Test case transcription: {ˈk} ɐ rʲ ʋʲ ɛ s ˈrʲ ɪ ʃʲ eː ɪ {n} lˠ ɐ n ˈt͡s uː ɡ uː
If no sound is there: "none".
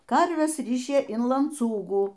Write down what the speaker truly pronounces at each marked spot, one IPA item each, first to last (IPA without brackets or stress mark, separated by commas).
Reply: k, n